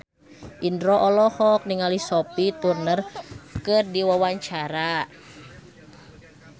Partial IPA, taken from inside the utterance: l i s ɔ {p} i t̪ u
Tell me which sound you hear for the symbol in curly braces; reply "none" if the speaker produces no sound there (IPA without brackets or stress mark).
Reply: p